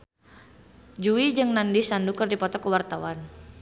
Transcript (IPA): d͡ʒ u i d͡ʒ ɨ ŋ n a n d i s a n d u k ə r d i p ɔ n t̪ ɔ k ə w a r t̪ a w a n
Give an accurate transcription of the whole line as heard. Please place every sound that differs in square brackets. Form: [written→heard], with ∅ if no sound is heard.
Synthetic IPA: d͡ʒ u i d͡ʒ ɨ ŋ n a n d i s a n d u k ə r d i p ɔ [n→∅] t̪ ɔ k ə w a r t̪ a w a n